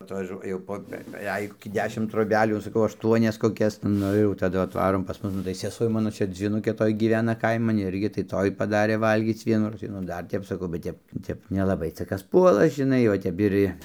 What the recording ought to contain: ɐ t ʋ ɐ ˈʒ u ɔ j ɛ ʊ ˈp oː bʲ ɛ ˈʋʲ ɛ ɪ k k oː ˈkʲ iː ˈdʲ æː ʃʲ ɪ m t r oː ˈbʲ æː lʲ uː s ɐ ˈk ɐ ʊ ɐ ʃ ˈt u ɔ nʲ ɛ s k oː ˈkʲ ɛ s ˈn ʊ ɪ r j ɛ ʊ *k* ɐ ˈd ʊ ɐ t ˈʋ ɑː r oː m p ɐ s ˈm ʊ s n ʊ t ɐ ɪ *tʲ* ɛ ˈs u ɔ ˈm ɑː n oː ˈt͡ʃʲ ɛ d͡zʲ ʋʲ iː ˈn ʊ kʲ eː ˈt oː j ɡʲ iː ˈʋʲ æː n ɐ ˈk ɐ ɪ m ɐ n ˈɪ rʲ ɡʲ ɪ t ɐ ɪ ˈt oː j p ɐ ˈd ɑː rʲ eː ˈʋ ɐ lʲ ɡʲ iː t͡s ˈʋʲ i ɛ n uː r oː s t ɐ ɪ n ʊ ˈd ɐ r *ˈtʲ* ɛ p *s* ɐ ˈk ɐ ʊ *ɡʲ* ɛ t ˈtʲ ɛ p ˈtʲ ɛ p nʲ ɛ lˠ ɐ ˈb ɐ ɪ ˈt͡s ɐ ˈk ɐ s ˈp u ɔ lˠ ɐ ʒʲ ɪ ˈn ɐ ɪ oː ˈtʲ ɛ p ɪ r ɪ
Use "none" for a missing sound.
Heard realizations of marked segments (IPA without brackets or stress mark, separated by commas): t, sʲ, tʲ, s, bʲ